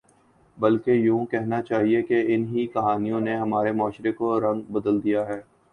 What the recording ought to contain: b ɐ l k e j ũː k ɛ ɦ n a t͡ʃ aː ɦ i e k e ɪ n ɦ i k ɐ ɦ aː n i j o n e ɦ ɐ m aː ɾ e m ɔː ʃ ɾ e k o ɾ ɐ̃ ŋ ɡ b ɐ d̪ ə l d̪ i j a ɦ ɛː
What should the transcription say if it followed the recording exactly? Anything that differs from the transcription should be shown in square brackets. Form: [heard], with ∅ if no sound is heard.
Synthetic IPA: b ɐ l k e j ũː k ɛ ɦ n a t͡ʃ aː ɦ i e k e ɪ n ɦ i k ɐ ɦ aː n i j [õ] n e ɦ ɐ m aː ɾ e m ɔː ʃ ɾ e k o ɾ ɐ̃ ŋ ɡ b ɐ d̪ ə l d̪ i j a ɦ ɛː